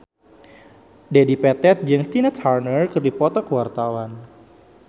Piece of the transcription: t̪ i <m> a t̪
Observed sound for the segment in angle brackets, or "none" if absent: n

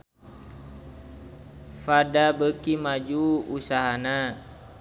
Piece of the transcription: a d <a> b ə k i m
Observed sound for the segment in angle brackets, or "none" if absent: a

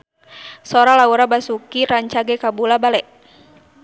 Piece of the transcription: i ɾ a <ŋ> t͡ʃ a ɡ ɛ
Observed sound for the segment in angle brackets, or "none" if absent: ɲ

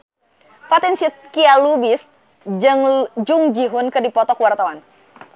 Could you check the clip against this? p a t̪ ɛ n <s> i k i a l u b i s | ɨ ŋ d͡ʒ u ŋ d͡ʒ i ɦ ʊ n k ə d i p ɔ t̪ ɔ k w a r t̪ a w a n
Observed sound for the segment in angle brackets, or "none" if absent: s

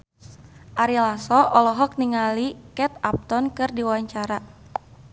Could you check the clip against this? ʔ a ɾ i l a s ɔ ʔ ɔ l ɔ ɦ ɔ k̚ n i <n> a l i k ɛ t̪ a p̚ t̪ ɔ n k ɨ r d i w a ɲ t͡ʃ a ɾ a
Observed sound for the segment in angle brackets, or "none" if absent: ŋ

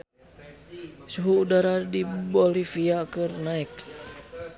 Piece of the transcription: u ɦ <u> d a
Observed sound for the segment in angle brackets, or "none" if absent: uː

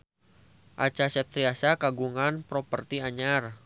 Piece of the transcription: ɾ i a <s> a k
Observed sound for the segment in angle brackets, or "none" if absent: s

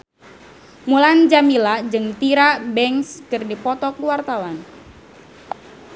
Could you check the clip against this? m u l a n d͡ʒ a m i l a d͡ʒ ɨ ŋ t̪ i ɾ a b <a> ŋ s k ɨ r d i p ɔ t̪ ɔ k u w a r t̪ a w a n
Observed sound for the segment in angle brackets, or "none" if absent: ɛ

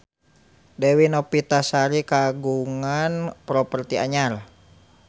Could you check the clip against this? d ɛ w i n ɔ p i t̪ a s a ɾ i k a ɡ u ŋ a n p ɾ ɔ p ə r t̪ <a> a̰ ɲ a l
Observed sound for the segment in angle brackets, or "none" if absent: i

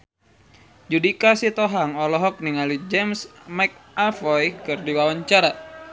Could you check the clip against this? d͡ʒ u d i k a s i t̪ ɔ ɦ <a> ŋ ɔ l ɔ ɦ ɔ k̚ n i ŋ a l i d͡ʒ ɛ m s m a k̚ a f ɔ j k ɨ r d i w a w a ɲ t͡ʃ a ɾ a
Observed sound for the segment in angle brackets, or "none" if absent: a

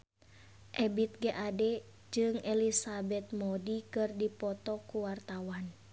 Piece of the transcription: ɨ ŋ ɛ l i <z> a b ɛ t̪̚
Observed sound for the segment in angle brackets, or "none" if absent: s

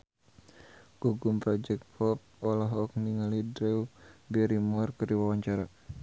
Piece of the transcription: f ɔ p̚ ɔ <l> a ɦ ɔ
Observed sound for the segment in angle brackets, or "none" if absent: l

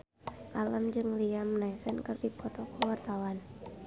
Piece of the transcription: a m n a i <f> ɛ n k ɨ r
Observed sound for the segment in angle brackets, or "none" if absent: s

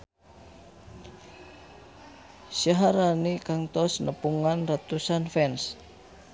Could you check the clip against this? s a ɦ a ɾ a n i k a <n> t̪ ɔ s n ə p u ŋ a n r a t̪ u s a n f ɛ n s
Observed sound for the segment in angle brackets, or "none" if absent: ŋ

